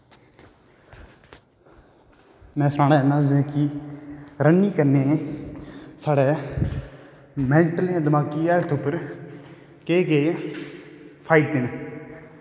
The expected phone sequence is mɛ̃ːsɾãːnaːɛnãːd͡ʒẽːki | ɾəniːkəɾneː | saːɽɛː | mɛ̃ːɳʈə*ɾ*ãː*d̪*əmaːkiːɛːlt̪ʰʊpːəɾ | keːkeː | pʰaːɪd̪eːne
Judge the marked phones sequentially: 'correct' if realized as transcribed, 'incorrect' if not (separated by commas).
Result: incorrect, correct